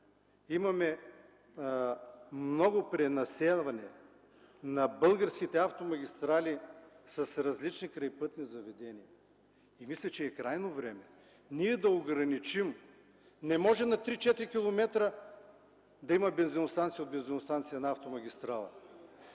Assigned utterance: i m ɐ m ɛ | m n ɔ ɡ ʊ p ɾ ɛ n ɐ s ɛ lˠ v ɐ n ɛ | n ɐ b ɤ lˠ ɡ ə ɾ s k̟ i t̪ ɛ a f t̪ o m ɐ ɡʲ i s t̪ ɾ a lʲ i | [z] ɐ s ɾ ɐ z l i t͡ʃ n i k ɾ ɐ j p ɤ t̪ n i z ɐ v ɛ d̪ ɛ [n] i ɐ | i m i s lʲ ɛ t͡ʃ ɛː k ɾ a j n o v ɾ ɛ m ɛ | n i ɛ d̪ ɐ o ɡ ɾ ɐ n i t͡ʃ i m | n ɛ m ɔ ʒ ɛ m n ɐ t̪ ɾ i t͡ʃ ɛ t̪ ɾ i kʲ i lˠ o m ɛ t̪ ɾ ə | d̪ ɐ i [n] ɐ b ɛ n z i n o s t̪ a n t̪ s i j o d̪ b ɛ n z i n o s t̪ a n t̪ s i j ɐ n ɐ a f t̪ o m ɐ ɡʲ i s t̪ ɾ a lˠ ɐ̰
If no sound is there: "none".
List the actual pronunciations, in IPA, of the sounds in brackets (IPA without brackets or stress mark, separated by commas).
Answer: s, n, m